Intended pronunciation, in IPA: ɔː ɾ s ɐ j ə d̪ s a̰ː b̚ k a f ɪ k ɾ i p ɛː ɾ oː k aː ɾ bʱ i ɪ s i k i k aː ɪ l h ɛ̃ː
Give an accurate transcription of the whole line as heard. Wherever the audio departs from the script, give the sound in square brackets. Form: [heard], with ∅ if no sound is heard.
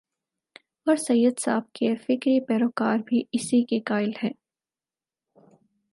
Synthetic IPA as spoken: ɔː ɾ s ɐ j ə d̪ s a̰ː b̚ k [e] f ɪ k ɾ i p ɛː ɾ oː k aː ɾ bʱ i ɪ s i k [e] k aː ɪ l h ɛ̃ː